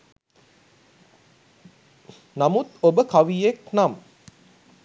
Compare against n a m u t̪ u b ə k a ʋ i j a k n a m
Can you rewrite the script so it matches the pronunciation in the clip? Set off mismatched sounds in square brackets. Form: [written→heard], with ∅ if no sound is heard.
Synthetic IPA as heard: n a m u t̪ [u→o] b ə k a ʋ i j [a→e] k n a m

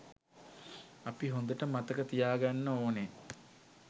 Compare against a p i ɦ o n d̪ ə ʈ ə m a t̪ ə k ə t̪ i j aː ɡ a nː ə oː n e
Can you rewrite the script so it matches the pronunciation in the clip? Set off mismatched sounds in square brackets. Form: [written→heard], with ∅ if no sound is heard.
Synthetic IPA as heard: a p i ɦ o n d̪ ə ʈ ə m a t̪ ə k ə t̪ i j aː ɡ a nː ə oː n e

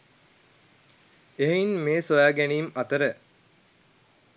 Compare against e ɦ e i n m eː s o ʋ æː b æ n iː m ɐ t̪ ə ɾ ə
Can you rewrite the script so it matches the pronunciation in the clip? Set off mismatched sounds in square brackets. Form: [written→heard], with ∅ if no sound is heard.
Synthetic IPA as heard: e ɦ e i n m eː s o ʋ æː [b→ɡ] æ n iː m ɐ t̪ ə ɾ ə

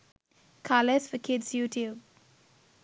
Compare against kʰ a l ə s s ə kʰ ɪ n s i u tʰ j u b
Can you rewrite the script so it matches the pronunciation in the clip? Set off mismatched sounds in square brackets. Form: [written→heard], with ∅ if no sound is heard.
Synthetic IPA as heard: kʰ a l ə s [s→f] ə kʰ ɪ [n→d] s [i→j] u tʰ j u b

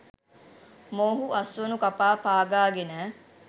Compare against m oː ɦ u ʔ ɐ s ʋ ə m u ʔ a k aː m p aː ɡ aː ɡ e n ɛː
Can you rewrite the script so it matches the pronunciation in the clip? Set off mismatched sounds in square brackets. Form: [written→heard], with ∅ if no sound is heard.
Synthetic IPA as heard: m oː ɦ u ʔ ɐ s ʋ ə [m→n] u [ʔ→k] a [k→p] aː [m→∅] p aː ɡ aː ɡ e n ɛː

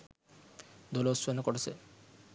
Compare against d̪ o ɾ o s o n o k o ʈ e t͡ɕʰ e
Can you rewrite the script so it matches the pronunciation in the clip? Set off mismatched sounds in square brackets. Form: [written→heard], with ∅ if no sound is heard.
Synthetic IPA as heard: d̪ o [ɾ→l] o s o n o k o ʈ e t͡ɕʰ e

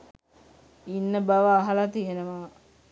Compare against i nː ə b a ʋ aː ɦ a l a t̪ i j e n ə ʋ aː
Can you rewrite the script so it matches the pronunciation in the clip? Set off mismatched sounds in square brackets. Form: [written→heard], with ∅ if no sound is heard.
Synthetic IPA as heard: i nː ə b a ʋ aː ɦ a l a t̪ i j e n ə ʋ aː

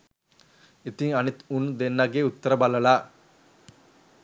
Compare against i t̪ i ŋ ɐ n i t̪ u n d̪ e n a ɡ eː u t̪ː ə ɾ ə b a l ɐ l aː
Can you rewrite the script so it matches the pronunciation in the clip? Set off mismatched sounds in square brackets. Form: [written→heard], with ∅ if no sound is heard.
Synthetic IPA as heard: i t̪ i ŋ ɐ n i t̪ u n d̪ e [n→nː] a ɡ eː u t̪ː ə ɾ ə b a l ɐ l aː

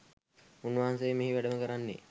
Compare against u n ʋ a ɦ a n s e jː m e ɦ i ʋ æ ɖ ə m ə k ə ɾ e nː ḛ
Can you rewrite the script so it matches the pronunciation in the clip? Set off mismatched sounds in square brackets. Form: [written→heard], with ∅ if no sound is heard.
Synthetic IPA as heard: u n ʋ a ɦ a n s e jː m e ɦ i ʋ æ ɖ ə m ə k ə ɾ [e→a] nː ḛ

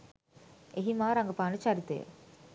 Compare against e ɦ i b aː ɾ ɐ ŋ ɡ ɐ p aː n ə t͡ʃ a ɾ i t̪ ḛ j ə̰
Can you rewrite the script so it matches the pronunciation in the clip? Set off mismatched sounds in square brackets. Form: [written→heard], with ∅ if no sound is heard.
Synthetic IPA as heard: e ɦ i [b→m] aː ɾ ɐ ŋ ɡ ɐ p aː n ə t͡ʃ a ɾ i t̪ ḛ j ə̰

